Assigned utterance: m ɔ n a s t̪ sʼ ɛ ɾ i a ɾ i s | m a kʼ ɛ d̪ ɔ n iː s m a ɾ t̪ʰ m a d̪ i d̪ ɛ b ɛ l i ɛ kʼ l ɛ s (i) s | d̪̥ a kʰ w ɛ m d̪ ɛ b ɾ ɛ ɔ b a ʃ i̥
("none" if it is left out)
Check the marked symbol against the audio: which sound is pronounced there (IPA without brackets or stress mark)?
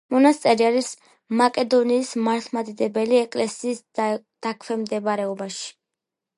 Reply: iː